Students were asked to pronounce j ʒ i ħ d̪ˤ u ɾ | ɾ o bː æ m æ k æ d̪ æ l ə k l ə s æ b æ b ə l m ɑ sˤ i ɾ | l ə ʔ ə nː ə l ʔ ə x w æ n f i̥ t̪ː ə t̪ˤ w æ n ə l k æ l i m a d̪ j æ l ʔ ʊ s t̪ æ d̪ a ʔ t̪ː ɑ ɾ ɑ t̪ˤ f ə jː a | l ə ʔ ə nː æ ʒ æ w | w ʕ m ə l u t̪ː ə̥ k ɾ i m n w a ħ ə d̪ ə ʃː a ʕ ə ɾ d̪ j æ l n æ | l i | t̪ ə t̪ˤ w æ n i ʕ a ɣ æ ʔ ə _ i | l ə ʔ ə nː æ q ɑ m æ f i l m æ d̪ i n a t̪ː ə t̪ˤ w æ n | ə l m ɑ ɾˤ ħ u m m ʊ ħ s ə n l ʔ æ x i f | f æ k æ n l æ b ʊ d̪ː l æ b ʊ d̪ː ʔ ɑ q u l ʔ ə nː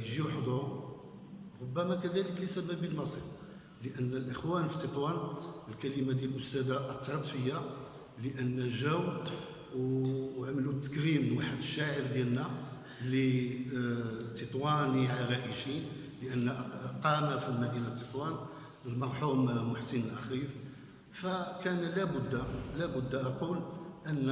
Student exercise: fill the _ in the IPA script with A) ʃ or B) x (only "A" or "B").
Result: A